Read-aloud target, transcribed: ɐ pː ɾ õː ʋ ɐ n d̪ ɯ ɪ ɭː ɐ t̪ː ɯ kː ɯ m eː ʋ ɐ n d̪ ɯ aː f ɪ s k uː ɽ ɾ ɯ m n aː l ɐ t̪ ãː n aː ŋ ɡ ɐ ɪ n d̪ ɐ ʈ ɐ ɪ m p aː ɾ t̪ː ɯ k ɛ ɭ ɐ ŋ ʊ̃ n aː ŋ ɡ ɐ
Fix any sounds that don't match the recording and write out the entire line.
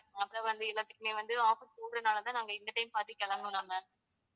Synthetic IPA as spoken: ɐ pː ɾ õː ʋ ɐ n d̪ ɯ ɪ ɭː ɐ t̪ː ɯ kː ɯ m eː ʋ ɐ n d̪ ɯ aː f ɪ s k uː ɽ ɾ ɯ n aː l ɐ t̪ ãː n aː ŋ ɡ ɐ ɪ n d̪ ɐ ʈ ɐ ɪ m p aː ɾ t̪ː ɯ k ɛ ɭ ɐ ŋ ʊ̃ n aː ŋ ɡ ɐ